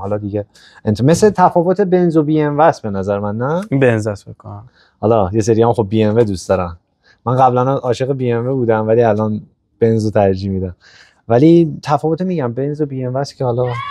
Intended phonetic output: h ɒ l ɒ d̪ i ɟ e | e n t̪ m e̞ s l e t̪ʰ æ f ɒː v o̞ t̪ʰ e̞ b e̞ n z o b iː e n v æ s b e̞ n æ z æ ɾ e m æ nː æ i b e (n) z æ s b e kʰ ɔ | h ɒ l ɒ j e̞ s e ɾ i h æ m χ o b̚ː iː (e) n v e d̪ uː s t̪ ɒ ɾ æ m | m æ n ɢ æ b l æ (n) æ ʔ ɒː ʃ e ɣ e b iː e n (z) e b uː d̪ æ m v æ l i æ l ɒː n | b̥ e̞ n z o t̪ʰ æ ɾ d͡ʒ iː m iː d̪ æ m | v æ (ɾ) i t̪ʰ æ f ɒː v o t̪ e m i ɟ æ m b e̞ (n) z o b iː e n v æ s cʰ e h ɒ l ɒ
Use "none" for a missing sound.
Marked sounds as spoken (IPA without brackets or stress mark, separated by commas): n, e, n, v, l, n